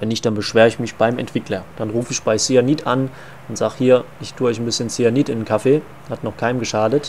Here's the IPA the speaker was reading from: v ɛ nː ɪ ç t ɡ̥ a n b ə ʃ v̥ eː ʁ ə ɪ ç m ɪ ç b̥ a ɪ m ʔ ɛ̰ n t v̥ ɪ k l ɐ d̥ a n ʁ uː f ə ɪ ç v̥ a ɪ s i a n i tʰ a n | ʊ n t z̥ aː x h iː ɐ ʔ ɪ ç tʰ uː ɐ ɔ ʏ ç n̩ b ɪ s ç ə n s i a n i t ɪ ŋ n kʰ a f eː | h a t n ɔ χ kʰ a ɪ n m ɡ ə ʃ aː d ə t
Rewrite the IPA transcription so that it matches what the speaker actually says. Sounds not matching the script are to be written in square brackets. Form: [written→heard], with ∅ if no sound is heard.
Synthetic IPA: v ɛ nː ɪ ç t [ɡ̥→d̥] a n b ə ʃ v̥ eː ʁ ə ɪ ç m ɪ ç b̥ a ɪ m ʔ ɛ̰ n t v̥ ɪ k l ɐ d̥ a n ʁ uː f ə ɪ ç [v̥→b̥] a ɪ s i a n i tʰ a n | ʊ n t z̥ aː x h iː ɐ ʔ ɪ ç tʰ uː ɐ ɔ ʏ ç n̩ b ɪ s ç ə n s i a n i t ɪ [ŋ→n] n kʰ a f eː | h a t n ɔ χ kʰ a ɪ n m ɡ ə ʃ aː d ə t